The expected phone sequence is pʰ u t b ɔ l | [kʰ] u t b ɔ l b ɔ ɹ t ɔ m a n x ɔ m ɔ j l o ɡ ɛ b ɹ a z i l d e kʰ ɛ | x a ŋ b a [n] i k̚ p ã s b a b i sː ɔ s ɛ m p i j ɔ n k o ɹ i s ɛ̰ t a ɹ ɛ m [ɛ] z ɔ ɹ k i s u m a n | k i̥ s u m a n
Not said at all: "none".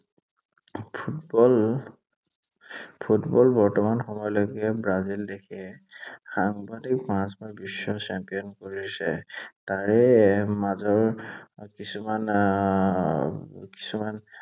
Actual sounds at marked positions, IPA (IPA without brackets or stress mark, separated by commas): pʰ, d, a